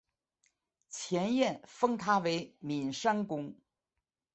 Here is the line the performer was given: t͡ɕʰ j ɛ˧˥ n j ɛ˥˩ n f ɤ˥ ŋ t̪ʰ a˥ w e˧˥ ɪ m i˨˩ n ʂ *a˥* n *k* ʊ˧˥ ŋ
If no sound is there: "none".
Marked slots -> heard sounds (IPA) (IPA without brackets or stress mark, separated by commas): a˥, k